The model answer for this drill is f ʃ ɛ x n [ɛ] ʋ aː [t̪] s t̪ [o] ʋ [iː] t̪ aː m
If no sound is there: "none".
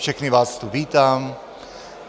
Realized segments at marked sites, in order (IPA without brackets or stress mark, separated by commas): i, none, u, iː